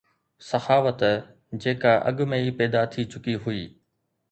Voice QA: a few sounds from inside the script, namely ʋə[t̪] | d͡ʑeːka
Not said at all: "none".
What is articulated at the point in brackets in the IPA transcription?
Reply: t̪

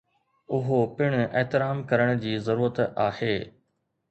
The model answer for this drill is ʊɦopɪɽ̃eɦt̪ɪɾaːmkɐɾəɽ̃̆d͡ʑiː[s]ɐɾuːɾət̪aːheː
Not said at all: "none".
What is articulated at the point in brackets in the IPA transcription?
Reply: z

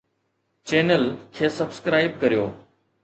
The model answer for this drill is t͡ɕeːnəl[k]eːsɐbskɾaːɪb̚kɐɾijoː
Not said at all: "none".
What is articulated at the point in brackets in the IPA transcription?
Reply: kʰ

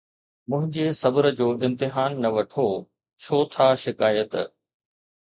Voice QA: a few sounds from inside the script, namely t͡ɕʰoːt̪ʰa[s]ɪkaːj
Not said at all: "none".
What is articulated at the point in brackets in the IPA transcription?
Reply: ʃ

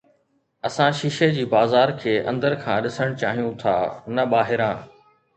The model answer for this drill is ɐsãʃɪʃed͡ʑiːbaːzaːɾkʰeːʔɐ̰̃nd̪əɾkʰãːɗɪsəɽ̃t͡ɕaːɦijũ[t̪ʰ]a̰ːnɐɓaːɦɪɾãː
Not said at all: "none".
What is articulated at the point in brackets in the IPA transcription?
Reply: t̪ʰ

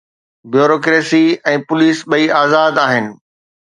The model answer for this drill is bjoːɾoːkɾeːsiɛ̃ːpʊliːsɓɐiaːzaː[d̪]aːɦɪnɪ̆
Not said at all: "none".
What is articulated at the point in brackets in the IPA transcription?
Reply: d̪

